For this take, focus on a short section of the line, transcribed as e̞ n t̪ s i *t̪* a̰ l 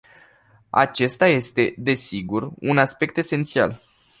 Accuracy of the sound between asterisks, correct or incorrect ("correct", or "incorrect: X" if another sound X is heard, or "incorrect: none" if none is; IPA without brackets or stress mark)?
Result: incorrect: none